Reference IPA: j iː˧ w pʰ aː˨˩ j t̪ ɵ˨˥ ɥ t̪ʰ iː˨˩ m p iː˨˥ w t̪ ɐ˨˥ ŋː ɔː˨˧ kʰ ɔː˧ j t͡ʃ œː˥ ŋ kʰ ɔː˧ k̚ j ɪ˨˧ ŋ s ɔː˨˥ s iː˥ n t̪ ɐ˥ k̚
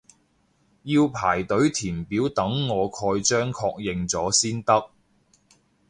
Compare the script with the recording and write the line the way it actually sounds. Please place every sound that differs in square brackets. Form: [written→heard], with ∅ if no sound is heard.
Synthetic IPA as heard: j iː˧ w pʰ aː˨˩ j t̪ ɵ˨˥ ɥ t̪ʰ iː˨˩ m p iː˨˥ w t̪ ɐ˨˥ ŋː ɔː˨˧ kʰ ɔː˧ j t͡ʃ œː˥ ŋ kʰ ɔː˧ k̚ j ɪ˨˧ ŋ [s→t͡s] ɔː˨˥ s iː˥ n t̪ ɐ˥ k̚